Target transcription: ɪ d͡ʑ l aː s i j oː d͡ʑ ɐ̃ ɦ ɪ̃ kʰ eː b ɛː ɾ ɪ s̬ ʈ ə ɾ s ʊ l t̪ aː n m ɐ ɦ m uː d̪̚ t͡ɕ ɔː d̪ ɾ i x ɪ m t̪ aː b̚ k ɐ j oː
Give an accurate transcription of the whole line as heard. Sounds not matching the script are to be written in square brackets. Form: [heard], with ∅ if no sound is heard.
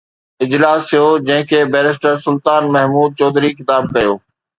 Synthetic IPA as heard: ɪ d͡ʑ l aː s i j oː d͡ʑ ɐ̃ ɦ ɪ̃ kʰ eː b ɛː ɾ ɪ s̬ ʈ ə ɾ s ʊ l t̪ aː n m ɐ ɦ m uː d̪̚ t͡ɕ ɔː d̪ ɾ i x ɪ [∅] t̪ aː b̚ k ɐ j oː